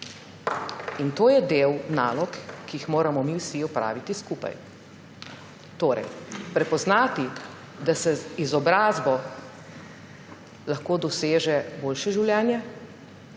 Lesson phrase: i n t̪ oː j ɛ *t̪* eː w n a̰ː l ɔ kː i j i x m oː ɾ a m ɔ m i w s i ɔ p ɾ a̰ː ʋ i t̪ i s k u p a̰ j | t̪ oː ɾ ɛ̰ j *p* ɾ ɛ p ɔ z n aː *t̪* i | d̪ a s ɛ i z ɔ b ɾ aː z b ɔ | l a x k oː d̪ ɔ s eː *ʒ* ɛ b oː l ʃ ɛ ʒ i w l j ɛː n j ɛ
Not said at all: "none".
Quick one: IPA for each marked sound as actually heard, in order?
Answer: d̪, p, t̪, ʒ

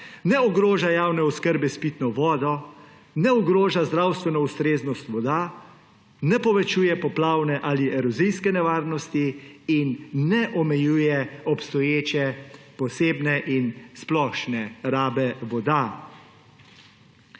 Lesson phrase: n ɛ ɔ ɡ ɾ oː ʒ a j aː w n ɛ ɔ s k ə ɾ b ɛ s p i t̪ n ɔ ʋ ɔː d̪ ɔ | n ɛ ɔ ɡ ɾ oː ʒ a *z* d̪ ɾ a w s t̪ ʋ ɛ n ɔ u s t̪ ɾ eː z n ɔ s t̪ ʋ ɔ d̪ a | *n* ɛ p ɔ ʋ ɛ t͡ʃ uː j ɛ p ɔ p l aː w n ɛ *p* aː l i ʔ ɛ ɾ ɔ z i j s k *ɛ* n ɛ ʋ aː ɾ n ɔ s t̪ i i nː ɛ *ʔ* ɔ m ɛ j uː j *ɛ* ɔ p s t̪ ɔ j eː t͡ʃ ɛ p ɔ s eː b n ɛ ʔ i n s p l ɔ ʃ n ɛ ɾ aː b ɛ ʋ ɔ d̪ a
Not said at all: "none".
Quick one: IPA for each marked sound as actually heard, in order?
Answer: z, n, ʔ, ɛ, ʔ, ɛ

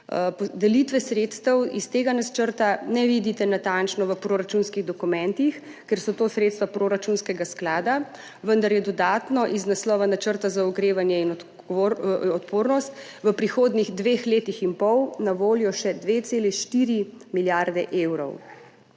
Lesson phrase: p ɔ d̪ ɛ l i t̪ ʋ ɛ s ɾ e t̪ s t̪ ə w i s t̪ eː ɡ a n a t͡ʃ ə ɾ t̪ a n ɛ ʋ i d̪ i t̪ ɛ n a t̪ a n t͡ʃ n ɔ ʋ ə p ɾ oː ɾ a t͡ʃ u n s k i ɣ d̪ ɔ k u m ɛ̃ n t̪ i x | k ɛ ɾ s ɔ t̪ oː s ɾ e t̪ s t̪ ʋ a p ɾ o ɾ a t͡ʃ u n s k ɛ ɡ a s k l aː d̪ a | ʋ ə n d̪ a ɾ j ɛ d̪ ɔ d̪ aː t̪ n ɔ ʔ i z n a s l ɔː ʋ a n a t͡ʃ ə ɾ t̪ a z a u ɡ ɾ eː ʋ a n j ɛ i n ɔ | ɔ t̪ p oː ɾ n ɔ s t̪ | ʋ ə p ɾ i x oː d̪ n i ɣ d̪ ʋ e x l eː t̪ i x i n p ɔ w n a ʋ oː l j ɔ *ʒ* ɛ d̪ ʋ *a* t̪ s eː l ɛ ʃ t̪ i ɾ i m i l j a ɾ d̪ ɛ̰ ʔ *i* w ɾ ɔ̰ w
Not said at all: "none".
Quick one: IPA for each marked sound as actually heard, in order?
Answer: ʃ, e, e

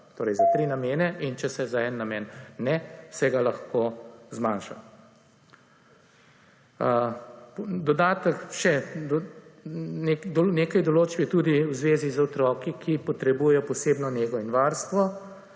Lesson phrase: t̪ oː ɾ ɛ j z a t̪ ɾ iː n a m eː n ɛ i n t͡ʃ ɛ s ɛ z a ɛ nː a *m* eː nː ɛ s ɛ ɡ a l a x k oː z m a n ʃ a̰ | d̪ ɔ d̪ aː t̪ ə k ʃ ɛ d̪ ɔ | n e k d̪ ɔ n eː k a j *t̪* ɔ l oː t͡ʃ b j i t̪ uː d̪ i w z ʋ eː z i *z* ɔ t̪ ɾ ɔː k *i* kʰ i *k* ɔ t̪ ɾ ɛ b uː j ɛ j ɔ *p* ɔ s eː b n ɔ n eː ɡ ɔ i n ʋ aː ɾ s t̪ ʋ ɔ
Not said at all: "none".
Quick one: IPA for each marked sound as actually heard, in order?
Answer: m, d̪, z, i, p, p

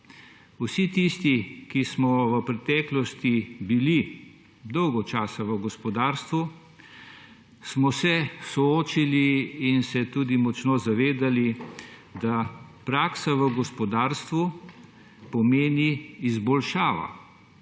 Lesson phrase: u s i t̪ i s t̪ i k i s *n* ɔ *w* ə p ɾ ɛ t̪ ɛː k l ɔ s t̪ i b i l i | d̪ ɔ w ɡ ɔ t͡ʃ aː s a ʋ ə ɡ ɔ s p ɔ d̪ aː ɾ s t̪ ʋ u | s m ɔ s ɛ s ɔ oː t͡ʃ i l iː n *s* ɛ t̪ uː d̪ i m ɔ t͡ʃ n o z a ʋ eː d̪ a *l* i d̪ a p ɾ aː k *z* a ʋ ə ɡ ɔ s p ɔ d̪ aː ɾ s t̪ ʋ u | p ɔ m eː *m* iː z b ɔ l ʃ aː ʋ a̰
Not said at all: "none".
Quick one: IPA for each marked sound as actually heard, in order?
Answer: m, ʋ, s, l, s, n

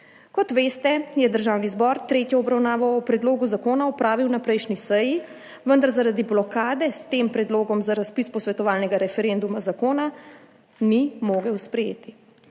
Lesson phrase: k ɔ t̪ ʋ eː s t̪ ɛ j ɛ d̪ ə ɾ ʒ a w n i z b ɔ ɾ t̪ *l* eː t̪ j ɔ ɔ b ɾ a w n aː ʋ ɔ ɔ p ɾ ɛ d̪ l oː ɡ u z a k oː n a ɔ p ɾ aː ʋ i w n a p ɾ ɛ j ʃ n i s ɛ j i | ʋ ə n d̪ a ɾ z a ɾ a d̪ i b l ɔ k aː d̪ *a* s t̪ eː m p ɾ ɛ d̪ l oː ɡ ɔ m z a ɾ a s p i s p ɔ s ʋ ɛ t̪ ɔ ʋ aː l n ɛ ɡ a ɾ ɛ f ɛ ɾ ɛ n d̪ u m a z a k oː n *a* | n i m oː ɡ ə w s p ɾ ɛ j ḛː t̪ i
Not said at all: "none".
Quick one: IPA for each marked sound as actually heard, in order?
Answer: ɾ, ɛ, a

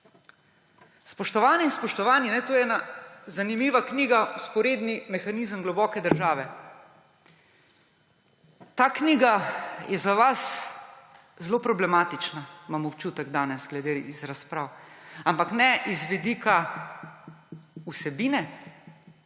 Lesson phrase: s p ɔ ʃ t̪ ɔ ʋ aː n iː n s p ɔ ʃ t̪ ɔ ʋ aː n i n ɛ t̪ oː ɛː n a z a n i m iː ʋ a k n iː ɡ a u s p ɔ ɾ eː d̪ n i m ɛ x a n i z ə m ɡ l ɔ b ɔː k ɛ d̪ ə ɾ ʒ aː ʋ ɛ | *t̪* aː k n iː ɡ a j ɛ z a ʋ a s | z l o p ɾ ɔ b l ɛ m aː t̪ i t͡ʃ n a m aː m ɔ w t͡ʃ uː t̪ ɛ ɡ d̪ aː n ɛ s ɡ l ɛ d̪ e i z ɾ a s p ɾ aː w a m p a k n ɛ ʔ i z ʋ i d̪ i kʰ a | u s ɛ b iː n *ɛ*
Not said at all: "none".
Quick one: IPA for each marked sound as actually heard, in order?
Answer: t̪, ɛ

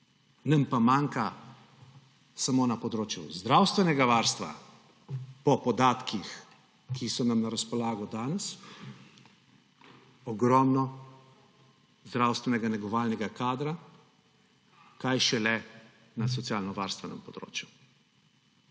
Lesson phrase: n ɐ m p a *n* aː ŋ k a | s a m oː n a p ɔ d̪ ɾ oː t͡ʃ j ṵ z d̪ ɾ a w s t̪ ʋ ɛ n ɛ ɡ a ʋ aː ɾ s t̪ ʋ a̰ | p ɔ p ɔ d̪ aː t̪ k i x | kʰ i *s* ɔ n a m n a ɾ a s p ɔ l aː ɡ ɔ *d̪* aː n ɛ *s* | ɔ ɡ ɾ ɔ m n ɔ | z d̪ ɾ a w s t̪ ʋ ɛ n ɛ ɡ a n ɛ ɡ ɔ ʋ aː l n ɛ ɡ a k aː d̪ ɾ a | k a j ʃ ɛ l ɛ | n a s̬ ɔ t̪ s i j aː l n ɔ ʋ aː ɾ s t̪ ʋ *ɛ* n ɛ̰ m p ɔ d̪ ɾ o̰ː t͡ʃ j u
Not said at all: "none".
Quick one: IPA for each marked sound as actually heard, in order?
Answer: m, s, d̪, s, ɛ

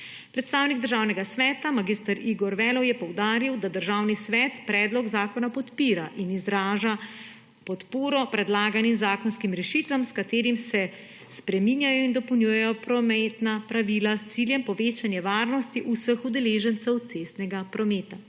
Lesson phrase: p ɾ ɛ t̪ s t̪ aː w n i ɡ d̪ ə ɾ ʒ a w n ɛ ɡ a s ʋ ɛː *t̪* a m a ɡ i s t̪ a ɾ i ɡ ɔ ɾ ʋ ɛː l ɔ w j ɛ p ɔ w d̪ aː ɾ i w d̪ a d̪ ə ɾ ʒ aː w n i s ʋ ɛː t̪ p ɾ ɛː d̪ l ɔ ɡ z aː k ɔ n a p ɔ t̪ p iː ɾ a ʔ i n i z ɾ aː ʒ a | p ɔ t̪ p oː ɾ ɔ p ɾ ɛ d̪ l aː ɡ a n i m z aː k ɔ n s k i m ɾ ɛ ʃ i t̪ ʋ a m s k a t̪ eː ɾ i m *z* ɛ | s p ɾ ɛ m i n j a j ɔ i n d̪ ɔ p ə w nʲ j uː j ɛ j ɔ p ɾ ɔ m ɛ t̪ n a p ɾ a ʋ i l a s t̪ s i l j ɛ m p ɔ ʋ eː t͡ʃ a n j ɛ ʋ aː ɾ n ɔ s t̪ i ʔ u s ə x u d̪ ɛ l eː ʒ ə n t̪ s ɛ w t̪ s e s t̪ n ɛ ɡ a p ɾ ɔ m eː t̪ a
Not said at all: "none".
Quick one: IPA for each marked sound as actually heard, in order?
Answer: t̪, s

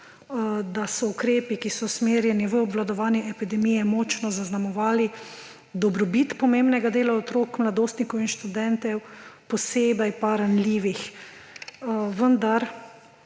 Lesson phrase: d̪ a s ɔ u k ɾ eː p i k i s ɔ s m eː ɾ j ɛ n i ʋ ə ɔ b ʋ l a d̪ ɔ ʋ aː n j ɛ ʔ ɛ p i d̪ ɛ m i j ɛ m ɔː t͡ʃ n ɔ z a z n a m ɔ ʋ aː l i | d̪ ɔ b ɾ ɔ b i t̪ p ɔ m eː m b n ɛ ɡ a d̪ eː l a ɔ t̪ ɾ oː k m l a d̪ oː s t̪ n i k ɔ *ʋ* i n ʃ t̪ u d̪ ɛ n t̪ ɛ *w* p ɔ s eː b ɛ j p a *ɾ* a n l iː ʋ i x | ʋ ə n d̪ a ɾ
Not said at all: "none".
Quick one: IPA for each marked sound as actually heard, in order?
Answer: w, w, ɾ

